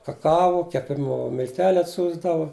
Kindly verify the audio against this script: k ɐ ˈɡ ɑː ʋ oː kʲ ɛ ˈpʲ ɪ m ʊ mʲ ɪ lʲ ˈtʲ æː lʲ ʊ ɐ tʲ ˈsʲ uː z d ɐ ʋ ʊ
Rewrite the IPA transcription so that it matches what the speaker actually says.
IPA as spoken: k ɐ ˈk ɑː ʋ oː kʲ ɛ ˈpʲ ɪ m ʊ mʲ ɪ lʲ ˈtʲ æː lʲ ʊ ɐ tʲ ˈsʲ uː z d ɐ ʋ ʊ